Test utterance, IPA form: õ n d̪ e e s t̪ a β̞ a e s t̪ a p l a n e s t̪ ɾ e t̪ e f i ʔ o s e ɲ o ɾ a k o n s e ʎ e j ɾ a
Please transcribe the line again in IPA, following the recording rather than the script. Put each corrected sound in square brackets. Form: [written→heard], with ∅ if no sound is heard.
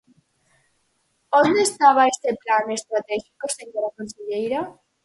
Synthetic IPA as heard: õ n d̪ e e s t̪ a β̞ a e s t̪ [a→e] p l a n e s t̪ ɾ [e→a] t̪ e [f→x] i [ʔ→k] o s e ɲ o ɾ a k o n s e ʎ e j ɾ a